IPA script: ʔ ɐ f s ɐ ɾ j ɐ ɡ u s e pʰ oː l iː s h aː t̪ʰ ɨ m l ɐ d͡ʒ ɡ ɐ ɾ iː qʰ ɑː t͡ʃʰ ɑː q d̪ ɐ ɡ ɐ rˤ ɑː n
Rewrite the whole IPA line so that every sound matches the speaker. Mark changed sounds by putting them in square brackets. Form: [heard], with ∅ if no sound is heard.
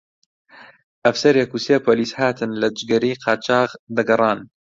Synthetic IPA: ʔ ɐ f s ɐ ɾ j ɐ [k] u s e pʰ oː l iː s h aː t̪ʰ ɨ [n] l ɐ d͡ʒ ɡ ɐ ɾ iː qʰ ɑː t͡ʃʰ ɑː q d̪ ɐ ɡ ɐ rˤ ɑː n